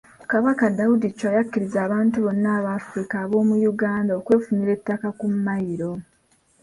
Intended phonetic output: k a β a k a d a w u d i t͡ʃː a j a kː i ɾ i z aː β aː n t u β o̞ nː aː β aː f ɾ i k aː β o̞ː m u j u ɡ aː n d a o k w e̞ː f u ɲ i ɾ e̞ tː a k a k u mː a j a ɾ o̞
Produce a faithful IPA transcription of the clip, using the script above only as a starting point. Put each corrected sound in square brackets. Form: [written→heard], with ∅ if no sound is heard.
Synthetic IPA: k a β a k a d a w u d i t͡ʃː a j a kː i ɾ i z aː β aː n t u β o̞ nː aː β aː f ɾ i k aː β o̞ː m u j u ɡ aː n d a o k w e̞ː f u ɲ i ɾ e̞ tː a k a k u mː a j [a→i] ɾ o̞